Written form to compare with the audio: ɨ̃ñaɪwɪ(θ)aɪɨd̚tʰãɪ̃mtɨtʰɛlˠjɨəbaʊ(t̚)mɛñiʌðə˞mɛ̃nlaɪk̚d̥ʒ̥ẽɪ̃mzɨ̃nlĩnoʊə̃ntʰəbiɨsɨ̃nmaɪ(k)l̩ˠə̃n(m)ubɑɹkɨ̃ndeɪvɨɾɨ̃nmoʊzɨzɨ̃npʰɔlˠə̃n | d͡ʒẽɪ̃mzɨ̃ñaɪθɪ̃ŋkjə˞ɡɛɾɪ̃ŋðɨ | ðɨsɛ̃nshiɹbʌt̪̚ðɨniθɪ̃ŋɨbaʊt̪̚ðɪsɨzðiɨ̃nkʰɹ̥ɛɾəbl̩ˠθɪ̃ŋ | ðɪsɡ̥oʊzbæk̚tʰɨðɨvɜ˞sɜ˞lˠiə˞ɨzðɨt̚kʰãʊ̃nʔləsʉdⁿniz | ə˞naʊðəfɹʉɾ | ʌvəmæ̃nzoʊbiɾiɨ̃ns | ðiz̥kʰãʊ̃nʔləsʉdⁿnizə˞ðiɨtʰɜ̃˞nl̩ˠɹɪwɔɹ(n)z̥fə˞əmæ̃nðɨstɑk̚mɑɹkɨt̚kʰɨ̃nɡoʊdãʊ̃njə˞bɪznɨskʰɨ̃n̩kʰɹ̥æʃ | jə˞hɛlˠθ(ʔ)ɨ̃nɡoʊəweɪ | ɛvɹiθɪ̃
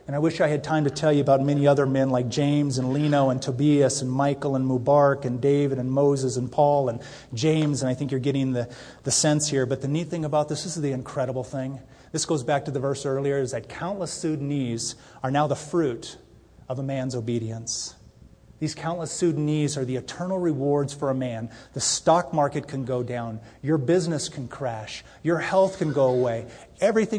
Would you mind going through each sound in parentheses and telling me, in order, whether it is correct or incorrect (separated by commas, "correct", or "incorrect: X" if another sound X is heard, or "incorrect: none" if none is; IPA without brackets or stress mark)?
incorrect: ʃ, correct, correct, correct, incorrect: d, incorrect: k